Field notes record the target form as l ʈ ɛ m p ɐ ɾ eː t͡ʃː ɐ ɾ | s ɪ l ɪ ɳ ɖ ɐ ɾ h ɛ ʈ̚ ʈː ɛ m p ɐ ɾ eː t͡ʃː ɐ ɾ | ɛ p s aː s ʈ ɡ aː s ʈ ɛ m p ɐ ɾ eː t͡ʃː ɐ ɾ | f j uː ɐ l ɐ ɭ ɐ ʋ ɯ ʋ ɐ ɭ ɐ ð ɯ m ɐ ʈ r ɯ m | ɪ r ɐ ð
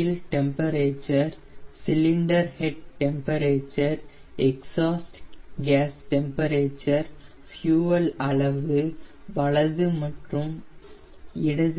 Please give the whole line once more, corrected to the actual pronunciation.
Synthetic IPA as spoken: l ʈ ɛ m p ɐ ɾ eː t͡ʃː ɐ ɾ | s ɪ l ɪ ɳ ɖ ɐ ɾ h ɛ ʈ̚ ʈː ɛ m p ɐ ɾ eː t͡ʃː ɐ ɾ | ɛ k s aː s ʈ ɡ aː s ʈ ɛ m p ɐ ɾ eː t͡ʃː ɐ ɾ | f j uː ɐ l ɐ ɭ ɐ ʋ ɯ ʋ ɐ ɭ ɐ ð ɯ m ɐ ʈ r ɯ m | ɪ ɽ ɐ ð